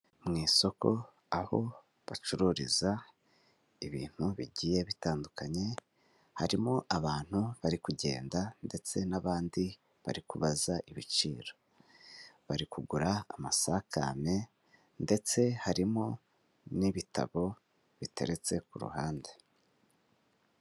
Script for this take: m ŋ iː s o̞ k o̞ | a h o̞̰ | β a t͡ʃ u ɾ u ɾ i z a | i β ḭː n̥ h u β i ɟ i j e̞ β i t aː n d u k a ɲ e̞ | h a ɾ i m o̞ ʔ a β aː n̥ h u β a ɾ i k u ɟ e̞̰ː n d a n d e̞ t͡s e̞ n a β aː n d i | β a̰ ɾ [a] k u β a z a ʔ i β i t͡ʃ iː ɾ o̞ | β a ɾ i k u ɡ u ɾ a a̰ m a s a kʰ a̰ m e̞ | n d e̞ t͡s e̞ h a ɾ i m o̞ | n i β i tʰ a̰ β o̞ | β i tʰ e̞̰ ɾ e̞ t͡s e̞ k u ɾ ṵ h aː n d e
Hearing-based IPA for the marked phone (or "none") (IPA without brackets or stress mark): i